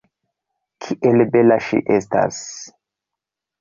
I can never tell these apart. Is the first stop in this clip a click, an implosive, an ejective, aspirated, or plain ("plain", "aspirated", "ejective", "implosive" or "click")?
aspirated